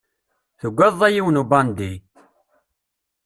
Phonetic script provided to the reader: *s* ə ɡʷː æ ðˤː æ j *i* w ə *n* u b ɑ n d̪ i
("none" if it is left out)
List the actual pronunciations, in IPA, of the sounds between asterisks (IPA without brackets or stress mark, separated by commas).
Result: θ, i, n